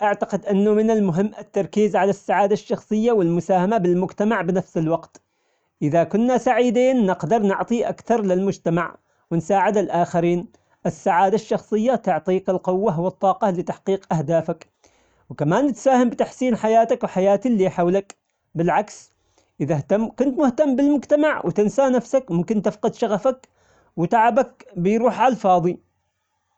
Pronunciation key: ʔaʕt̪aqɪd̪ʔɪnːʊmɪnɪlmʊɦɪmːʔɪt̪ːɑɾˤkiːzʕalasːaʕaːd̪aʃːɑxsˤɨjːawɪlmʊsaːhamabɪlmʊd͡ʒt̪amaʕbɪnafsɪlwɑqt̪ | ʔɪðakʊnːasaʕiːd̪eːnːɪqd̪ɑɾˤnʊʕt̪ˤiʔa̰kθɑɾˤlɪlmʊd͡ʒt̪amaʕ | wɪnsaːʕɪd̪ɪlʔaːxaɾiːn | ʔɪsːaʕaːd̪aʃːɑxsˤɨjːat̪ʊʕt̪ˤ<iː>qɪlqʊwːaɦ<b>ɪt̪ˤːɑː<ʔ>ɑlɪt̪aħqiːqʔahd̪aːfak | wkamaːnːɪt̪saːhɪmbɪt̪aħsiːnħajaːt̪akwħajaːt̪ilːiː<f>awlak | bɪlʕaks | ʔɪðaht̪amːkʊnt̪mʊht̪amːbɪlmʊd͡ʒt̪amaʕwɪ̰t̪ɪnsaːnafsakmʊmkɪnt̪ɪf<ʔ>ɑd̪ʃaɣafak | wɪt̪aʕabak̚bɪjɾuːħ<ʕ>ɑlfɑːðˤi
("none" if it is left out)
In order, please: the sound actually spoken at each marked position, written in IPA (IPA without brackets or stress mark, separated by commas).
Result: iː, w, q, ħ, q, ʕ